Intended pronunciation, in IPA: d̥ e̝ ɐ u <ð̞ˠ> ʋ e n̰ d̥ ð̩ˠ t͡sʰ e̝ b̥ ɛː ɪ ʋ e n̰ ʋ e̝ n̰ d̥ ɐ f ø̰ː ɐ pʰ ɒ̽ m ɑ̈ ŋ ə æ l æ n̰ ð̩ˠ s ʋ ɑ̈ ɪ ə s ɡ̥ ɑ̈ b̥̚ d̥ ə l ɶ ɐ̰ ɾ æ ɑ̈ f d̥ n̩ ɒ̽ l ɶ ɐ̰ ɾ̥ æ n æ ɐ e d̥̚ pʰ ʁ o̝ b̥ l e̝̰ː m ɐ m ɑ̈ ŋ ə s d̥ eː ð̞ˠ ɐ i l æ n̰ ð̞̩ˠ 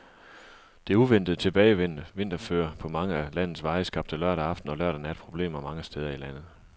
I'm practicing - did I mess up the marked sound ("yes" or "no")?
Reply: yes